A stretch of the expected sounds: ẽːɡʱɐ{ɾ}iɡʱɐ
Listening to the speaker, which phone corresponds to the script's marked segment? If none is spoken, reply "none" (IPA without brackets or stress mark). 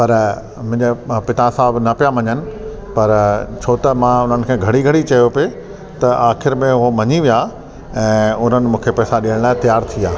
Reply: ɽ